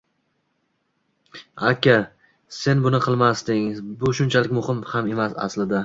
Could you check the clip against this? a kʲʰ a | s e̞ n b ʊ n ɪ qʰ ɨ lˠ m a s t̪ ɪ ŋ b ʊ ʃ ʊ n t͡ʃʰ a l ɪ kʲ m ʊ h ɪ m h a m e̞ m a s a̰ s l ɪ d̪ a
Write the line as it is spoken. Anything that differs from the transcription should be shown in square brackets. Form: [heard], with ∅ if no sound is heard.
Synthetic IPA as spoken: a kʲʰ a | s e̞ n b ʊ n ɪ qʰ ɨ lˠ m a s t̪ ɪ ŋ b ʊ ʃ ʊ n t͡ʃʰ a l ɪ kʲ m ʊ h ɪ m h a m e̞ m a s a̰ s l ɪ d̪ a